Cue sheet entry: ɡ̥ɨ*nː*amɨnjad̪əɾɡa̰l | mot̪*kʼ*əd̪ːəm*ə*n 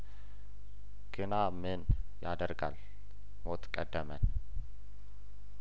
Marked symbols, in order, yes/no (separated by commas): no, yes, yes